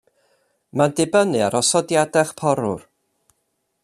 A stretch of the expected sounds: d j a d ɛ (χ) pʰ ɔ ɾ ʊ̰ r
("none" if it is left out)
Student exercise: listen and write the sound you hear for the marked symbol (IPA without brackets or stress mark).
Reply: χ